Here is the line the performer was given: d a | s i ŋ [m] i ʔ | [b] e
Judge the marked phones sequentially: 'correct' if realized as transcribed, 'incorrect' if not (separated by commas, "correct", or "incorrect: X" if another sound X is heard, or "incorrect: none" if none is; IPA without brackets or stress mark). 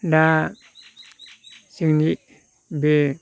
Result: incorrect: n, correct